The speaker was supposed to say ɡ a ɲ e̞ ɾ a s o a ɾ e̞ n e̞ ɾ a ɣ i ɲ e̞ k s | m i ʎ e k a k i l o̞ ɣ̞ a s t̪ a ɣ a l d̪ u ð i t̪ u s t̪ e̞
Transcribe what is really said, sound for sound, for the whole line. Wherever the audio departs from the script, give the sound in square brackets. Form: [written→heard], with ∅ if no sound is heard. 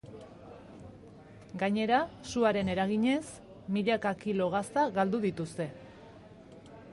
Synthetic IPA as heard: ɡ a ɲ e̞ ɾ a s [o→u] a ɾ e̞ n e̞ ɾ a ɣ i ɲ e̞ [k→∅] s | m i ʎ [e→a] k a k i l o̞ ɣ̞ a s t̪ a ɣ a l d̪ u ð i t̪ u s t̪ e̞